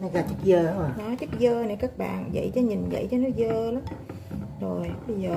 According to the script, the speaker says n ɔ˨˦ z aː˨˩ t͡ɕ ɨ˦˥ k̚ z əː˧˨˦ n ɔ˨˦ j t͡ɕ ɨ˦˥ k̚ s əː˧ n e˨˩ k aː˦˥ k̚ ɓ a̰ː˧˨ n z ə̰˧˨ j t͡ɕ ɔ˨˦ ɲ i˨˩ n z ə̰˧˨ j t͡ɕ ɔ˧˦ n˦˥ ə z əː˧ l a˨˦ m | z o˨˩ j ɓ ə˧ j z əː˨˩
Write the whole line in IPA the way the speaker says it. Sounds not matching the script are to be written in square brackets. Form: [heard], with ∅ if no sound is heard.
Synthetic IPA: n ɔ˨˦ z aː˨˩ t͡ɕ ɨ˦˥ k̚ z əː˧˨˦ n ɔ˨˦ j t͡ɕ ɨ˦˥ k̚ [z] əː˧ n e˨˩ k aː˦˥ k̚ ɓ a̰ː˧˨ n z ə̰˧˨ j t͡ɕ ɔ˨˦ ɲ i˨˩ n z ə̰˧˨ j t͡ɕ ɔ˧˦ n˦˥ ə z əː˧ l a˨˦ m | z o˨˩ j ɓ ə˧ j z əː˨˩